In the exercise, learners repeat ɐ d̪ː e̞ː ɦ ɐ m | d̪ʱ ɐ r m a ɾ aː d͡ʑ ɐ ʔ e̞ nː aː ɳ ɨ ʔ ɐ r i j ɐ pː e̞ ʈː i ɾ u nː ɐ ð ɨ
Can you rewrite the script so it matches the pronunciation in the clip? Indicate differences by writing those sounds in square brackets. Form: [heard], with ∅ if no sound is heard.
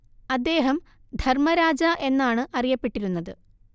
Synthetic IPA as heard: ɐ d̪ː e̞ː ɦ ɐ m | d̪ʱ ɐ r m [ɐ] ɾ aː d͡ʑ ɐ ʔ e̞ nː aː ɳ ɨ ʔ ɐ r i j ɐ pː e̞ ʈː i ɾ u nː ɐ ð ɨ